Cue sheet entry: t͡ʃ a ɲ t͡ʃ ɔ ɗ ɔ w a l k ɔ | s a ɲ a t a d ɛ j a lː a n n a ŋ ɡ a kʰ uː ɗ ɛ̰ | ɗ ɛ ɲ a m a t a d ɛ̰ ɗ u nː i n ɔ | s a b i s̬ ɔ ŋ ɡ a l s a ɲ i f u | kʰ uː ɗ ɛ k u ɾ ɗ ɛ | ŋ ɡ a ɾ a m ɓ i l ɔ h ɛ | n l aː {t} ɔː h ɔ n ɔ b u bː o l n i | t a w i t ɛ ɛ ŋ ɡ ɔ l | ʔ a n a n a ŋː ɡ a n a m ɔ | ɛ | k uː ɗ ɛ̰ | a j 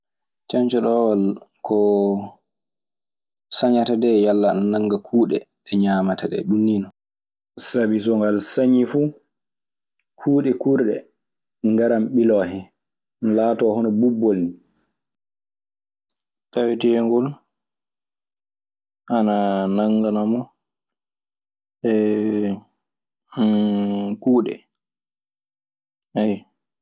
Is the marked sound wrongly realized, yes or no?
no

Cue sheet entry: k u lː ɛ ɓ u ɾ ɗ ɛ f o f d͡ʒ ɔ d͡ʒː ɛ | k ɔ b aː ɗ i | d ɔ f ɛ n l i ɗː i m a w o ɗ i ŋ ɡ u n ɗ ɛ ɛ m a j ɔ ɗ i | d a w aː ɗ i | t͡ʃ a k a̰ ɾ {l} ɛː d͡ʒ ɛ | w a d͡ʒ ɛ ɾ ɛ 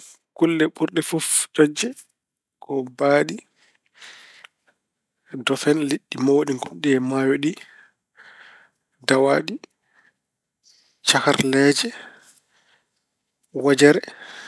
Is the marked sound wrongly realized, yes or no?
no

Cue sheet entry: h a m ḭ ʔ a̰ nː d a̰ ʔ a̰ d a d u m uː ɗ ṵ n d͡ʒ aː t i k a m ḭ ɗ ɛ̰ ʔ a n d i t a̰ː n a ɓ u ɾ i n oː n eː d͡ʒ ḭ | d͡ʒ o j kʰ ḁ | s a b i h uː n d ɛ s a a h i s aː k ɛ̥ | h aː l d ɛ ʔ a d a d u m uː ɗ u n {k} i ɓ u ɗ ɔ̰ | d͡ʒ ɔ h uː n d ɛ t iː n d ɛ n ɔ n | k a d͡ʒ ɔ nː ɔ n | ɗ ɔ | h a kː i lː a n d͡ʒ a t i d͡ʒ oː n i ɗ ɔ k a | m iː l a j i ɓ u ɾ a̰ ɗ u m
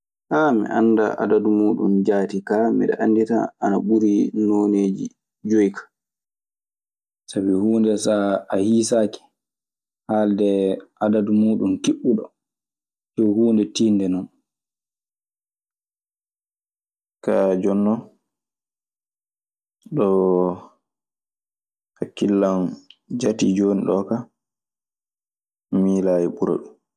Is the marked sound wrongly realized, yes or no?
no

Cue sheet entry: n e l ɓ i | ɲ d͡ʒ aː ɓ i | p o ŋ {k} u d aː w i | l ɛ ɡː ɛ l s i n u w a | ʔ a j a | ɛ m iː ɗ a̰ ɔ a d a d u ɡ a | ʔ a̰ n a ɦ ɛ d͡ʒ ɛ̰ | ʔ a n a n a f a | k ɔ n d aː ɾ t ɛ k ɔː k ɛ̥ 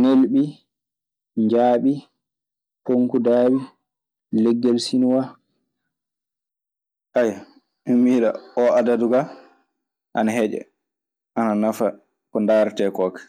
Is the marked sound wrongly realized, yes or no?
no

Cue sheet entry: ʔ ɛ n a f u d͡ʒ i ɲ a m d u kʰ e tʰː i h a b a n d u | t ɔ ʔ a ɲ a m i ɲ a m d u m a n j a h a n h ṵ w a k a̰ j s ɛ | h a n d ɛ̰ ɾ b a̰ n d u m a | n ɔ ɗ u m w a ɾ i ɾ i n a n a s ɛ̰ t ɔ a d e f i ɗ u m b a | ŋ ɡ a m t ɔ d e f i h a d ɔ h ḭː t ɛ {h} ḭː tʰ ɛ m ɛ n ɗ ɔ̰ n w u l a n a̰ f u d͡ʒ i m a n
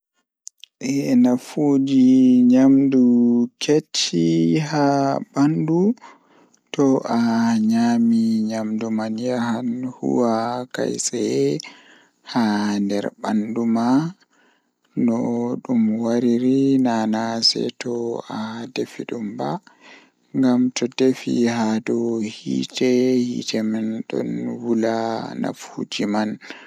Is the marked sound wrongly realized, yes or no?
no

